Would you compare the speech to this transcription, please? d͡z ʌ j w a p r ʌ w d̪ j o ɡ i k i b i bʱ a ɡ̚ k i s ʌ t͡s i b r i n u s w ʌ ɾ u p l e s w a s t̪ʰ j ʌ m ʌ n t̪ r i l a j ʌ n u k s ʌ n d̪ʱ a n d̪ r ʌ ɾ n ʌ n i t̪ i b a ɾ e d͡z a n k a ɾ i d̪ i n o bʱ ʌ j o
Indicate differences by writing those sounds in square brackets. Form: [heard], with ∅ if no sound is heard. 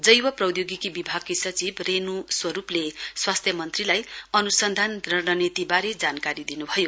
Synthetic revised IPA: d͡z ʌ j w [ʌ] p r ʌ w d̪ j o ɡ i k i b i bʱ a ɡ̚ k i s ʌ t͡s i b r [e] n u s w ʌ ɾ u p l e s w a s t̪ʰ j ʌ m ʌ n t̪ r i l a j ʌ n u [∅] s ʌ n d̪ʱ a n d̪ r ʌ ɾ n ʌ n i t̪ i b a ɾ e d͡z a n k a ɾ i d̪ i n [u] bʱ ʌ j o